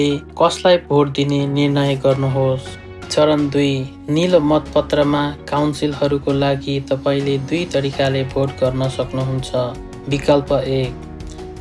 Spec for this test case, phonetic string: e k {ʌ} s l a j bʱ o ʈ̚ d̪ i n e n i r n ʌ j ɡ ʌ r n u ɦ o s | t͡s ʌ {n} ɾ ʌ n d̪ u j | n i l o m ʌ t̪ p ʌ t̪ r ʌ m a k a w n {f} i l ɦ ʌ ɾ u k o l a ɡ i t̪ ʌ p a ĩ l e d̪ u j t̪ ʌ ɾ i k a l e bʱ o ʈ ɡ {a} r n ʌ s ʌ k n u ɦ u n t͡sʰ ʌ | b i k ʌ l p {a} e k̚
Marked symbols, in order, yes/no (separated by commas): yes, no, no, no, no